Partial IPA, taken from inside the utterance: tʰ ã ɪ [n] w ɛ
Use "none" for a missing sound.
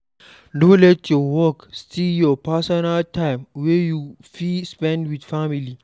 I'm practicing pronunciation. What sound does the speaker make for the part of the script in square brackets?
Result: m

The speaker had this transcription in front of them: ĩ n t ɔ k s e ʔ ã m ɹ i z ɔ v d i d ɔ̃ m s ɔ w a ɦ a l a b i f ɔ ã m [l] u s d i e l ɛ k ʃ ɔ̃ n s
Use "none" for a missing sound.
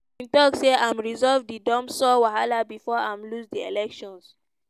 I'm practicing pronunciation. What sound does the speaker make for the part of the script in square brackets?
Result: l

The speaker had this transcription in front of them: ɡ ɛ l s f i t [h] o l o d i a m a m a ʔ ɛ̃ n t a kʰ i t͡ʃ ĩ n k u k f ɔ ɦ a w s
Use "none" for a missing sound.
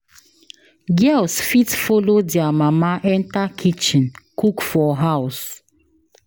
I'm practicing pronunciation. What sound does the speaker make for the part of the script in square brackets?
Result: f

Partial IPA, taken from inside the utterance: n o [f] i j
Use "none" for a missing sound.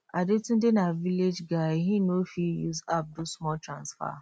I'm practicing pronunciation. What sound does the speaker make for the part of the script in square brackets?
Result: f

